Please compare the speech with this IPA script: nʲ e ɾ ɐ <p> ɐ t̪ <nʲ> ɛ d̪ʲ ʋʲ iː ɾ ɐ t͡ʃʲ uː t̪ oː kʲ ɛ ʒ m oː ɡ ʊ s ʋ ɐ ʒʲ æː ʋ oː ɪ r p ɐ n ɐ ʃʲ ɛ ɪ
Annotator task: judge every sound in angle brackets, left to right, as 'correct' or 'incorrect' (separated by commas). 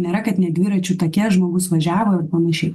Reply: incorrect, correct